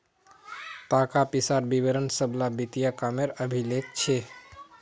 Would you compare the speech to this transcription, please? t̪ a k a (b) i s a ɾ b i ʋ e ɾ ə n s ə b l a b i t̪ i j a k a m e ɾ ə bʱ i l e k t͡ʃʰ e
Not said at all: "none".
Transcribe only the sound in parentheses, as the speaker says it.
p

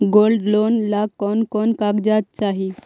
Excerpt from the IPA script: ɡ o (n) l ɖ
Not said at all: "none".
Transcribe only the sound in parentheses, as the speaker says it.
none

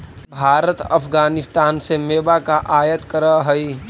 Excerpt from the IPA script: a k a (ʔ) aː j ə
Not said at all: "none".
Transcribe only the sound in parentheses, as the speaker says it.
ʔ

